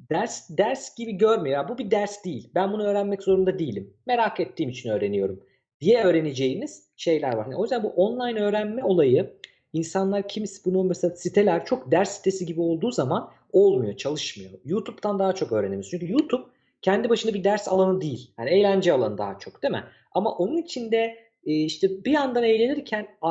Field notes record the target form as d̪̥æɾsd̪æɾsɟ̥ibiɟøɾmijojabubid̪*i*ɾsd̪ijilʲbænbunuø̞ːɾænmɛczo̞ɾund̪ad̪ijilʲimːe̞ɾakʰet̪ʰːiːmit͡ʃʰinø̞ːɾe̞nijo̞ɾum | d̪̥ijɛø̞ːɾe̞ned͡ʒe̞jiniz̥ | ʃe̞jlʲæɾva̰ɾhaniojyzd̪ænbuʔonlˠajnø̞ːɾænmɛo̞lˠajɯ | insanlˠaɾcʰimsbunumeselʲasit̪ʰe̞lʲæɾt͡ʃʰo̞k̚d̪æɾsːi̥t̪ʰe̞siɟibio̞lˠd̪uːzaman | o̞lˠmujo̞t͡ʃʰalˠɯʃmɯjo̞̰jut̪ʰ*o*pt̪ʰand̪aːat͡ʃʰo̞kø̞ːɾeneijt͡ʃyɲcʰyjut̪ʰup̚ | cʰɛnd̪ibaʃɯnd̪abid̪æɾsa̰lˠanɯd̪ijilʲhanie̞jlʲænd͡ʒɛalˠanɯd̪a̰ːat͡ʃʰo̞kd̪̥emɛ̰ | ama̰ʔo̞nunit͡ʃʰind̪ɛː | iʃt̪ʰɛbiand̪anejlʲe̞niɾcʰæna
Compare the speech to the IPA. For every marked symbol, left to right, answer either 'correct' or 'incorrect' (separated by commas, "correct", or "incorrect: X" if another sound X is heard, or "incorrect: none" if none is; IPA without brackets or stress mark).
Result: incorrect: æ, incorrect: u